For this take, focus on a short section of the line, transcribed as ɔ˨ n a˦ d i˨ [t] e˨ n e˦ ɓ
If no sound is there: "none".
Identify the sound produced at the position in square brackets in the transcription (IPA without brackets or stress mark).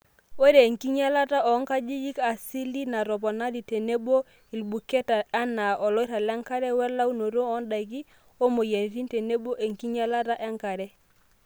t